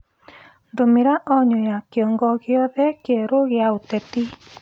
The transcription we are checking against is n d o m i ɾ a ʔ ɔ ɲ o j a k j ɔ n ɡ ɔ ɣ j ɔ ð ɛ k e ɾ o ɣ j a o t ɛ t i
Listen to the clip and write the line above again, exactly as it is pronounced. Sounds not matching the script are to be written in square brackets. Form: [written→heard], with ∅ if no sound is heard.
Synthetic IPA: n d o m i ɾ a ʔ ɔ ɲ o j a k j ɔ [n→ŋ] ɡ ɔ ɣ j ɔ ð ɛ k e ɾ o ɣ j a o t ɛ t i